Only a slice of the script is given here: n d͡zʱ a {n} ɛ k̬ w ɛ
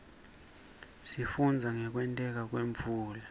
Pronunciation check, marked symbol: incorrect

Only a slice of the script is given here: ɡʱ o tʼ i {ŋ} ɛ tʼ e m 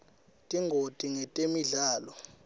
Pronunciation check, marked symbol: correct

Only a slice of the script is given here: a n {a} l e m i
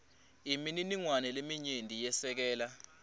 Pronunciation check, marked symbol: incorrect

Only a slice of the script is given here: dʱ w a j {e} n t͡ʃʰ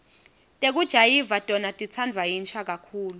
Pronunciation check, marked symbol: incorrect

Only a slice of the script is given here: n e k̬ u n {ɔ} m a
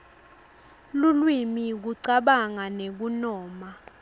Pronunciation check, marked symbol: incorrect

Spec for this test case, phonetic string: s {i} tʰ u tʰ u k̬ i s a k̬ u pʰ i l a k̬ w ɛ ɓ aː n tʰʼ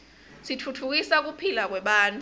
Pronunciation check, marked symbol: correct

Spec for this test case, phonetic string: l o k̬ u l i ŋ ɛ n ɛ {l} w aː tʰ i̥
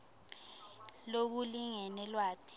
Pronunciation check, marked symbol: correct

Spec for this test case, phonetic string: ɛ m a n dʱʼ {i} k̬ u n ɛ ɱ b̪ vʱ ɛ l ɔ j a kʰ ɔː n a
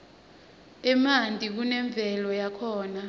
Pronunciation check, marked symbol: correct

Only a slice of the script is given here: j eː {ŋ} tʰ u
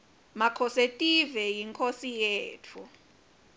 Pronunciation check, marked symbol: incorrect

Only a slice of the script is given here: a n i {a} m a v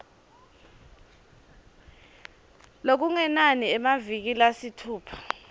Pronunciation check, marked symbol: incorrect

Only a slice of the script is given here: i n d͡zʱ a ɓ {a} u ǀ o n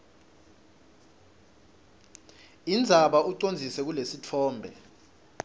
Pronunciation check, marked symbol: correct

